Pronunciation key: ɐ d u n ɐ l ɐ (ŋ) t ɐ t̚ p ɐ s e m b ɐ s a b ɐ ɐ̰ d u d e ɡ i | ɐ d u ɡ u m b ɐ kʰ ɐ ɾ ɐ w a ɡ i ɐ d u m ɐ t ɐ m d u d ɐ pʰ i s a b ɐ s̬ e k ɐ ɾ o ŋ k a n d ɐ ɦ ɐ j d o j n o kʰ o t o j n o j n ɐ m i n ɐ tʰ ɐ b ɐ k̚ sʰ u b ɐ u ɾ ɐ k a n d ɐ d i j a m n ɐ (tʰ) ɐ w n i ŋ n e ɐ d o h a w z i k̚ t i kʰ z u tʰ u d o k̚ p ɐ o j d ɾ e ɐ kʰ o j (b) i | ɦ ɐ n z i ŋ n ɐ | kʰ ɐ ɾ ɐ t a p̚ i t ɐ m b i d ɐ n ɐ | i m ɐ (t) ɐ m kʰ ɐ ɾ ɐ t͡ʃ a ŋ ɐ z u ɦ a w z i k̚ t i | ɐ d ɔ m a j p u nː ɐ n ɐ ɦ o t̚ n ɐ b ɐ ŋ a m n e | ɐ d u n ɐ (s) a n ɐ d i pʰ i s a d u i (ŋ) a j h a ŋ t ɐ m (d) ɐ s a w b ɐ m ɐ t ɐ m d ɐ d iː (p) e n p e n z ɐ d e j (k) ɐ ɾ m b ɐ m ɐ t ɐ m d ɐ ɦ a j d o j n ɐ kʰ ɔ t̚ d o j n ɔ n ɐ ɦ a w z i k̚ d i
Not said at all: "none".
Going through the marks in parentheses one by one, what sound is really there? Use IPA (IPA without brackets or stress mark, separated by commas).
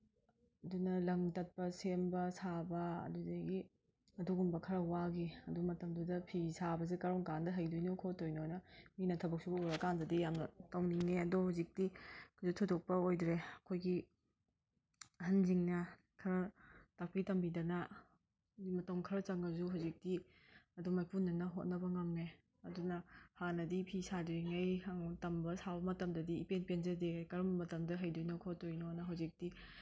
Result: ŋ, t, ɡ, t, h, ŋ, b, p, k